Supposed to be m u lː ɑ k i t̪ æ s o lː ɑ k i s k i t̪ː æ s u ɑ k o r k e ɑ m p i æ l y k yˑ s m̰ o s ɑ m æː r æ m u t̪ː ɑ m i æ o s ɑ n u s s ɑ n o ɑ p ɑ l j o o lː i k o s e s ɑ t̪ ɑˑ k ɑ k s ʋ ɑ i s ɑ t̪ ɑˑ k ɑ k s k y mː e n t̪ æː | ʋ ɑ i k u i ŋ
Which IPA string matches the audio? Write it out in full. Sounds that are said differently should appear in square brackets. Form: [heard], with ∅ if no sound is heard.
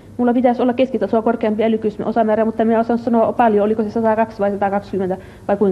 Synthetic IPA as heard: m u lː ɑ [p] i t̪ æ s o lː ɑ k [e] s k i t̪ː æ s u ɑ k o r k e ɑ m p i æ l y k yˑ s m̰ o s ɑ m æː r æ m u t̪ː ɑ m i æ o s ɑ n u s s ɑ n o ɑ p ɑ l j o o [l] i k o s e s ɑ t̪ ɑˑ k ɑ k s ʋ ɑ i s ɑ t̪ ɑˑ k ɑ k s k y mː e n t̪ [æ] | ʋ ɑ i k u i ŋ